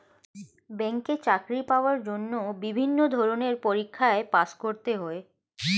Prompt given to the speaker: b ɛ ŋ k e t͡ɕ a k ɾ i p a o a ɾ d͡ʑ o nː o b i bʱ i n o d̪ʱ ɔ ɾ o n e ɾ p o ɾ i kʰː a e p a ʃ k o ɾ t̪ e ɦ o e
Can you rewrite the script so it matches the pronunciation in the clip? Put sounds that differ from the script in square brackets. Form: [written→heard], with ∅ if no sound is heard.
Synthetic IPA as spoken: b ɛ ŋ k e t͡ɕ a k ɾ i p a o a ɾ d͡ʑ o nː o b i bʱ i [n→nː] o d̪ʱ ɔ ɾ o n e ɾ p o ɾ i kʰː a e p a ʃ k o ɾ t̪ e ɦ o e